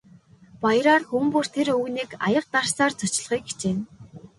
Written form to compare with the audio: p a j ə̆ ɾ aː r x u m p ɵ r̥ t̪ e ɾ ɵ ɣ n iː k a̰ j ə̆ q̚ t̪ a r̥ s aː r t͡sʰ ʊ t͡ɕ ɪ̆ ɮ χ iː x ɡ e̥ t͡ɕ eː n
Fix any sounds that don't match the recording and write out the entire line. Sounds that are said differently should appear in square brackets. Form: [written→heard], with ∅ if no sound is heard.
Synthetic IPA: p a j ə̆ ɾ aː r x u m p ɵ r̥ [t̪→t̪ʰ] e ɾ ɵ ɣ n iː k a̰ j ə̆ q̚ t̪ a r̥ s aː r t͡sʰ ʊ t͡ɕ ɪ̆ ɮ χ iː [x→k] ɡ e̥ t͡ɕ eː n